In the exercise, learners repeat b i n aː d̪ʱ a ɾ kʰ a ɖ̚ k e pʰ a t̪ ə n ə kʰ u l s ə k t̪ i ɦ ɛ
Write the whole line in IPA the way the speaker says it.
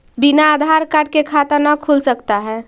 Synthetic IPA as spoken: b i n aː d̪ʱ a ɾ k a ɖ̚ k e kʰ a t̪ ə n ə kʰ u l s ə k t̪ a ɦ ɛ